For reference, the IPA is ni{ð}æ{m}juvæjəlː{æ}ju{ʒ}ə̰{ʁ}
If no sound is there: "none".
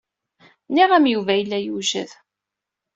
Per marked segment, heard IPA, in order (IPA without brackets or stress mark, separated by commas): ʁ, m, æ, ʒ, ð